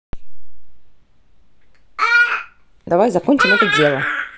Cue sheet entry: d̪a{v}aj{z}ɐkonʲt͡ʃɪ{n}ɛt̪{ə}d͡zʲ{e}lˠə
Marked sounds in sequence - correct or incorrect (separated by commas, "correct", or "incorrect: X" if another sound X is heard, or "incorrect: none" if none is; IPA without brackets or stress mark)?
correct, correct, incorrect: m, correct, correct